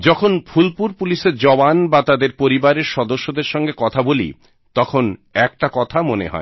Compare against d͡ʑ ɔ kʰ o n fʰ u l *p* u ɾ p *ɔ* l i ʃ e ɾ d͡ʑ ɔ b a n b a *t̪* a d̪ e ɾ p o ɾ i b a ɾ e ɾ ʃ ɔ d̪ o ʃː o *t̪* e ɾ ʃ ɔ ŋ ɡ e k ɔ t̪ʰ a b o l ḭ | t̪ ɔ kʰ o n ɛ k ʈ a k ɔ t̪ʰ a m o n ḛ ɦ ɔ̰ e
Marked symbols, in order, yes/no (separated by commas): yes, no, yes, no